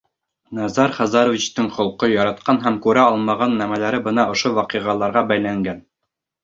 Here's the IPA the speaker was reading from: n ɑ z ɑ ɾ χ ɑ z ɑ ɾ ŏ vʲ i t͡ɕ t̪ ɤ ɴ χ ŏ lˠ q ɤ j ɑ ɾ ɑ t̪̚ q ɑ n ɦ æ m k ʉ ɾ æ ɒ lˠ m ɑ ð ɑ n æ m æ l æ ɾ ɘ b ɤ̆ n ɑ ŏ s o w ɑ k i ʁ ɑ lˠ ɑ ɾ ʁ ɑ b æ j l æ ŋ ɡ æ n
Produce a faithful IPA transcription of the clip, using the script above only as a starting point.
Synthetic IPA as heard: n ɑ z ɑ ɾ χ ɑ z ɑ ɾ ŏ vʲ i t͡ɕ t̪ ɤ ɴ χ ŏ lˠ q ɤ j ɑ ɾ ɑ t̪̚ q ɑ n ɦ æ m k ʉ ɾ æ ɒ lˠ m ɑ ʁ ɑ nː æ m æ l æ ɾ ɘ b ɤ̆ n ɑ ŏ ʃ o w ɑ q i ʁ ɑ lˠ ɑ ɾ ʁ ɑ b æ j l æ ŋ ɡ æ n